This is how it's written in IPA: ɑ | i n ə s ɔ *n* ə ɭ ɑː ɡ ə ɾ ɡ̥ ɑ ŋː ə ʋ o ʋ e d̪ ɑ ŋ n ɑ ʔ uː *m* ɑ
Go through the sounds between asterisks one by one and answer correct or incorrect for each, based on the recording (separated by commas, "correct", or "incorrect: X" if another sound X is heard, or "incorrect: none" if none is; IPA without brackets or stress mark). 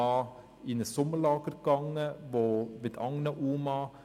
incorrect: m, correct